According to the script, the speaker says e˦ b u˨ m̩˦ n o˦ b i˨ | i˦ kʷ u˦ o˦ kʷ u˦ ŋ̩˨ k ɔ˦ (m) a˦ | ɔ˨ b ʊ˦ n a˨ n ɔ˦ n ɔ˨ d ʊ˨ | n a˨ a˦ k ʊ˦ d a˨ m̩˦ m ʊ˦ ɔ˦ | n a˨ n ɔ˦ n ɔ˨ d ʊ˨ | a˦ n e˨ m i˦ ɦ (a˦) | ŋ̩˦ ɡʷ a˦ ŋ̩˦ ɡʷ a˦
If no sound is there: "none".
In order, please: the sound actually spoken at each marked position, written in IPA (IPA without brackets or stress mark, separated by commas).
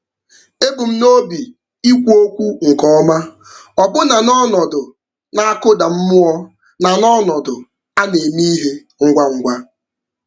m, e˦